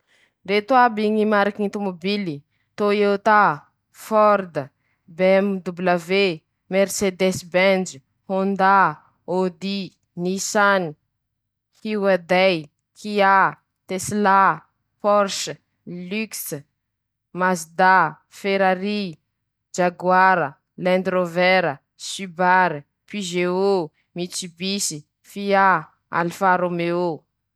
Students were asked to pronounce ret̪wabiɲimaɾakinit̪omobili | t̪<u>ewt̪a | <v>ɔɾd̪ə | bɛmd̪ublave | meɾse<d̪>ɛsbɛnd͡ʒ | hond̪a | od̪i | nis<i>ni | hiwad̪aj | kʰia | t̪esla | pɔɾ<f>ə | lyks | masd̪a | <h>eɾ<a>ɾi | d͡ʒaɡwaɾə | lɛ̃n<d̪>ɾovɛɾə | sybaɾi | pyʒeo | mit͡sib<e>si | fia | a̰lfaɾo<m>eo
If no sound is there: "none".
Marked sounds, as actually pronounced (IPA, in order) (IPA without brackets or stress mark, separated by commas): o, f, d̪, a, ʃ, f, a, d̪, i, m